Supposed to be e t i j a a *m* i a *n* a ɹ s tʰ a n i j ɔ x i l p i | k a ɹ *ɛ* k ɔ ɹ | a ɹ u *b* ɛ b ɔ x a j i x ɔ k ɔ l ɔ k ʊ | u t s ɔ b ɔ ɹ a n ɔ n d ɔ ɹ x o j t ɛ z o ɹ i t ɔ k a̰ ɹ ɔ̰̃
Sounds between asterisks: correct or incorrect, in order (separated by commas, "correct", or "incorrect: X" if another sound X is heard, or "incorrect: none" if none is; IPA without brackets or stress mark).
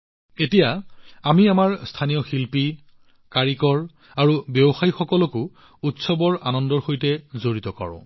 correct, incorrect: m, incorrect: i, correct